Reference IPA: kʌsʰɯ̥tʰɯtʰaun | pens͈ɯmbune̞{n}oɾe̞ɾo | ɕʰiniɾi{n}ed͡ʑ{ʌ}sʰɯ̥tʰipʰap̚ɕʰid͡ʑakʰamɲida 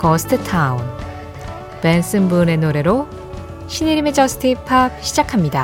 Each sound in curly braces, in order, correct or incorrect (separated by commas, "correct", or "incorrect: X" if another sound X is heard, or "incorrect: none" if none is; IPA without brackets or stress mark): correct, incorrect: m, correct